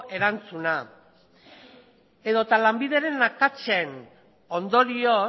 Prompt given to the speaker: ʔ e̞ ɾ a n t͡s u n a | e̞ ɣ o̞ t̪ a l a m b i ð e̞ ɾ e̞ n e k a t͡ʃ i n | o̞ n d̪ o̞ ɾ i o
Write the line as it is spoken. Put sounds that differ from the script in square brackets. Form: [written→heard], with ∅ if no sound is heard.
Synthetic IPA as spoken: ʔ e̞ ɾ a n t͡s u n a | e̞ [ɣ→ð] o̞ t̪ a l a m b i ð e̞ ɾ e̞ n [e→a] k a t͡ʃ [i→e] n | o̞ n d̪ o̞ ɾ i o